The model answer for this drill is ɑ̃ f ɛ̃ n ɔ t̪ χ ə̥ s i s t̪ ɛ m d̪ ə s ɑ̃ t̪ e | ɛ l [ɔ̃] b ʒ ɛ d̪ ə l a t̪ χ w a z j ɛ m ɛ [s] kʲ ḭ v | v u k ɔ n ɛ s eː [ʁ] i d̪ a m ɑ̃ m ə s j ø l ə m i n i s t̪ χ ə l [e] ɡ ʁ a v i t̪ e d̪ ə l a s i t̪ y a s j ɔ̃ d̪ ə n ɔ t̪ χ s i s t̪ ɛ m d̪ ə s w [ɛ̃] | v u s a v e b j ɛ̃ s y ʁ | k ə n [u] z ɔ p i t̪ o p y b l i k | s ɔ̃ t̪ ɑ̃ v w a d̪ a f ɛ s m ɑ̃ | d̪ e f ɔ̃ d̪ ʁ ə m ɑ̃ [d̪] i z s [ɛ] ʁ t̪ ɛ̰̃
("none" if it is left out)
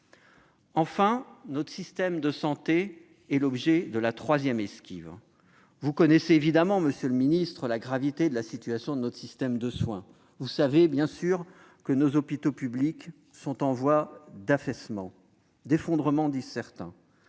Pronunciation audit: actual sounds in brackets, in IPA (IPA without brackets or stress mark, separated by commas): ɔ, s, v, a, ɛ̃, o, d̪, ɛ